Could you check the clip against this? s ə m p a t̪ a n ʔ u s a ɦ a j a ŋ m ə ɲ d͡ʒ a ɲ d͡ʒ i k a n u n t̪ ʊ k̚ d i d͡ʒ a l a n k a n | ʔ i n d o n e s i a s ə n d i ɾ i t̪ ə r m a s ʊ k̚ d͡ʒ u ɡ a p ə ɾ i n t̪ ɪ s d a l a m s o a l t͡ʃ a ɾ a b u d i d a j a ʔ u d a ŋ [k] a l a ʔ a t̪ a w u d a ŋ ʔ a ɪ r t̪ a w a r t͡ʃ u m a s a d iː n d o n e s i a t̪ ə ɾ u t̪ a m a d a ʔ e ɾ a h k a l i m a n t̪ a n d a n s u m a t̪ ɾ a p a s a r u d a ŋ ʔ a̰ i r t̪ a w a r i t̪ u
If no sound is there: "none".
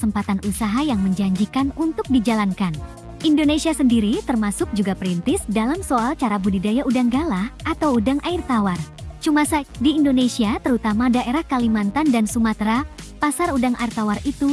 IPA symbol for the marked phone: ɡ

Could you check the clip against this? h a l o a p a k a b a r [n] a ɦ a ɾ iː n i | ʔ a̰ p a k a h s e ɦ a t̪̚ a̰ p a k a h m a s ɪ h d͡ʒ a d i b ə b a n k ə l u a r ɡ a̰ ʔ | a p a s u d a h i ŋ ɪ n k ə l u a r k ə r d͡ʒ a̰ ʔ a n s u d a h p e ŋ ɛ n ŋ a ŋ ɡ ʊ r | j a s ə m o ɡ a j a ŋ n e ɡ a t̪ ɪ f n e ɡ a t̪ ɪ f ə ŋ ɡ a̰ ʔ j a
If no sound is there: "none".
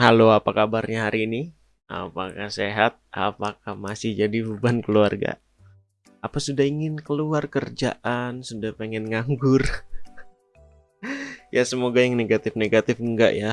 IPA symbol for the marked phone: ɲ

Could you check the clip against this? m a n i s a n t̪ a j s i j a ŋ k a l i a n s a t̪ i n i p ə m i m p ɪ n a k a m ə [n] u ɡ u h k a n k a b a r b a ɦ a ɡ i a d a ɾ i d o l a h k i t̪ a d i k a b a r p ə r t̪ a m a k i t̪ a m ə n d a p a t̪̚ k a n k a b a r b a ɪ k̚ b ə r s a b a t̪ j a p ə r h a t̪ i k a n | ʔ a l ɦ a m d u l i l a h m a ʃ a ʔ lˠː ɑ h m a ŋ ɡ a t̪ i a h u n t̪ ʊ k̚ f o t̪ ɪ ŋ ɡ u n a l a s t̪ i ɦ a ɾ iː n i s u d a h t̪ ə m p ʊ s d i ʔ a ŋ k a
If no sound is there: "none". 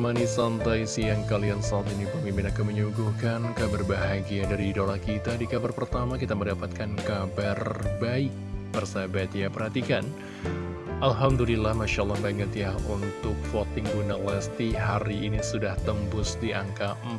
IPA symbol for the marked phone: ɲ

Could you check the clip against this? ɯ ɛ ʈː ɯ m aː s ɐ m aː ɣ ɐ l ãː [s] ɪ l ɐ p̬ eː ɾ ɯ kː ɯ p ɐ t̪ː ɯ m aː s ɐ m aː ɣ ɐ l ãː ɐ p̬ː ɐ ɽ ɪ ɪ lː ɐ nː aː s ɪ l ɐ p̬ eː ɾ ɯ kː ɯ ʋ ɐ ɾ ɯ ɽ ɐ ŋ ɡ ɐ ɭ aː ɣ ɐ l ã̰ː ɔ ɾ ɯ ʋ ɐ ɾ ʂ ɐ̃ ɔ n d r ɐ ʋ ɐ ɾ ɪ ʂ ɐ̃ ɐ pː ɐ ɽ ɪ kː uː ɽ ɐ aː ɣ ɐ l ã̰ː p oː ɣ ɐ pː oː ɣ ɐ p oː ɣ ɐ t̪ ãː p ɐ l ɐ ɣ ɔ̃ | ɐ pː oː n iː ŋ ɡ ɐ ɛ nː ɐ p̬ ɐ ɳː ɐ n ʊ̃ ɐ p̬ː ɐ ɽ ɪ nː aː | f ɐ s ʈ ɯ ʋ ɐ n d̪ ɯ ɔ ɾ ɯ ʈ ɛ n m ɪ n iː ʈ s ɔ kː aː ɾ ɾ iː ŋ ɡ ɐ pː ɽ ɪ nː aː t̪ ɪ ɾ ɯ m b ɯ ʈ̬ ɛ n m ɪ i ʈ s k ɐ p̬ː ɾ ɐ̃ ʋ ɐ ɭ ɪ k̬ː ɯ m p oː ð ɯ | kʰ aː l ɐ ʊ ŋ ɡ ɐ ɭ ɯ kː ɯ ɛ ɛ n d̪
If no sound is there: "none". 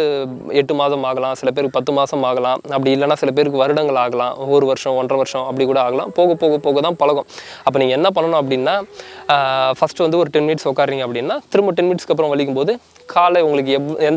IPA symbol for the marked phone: s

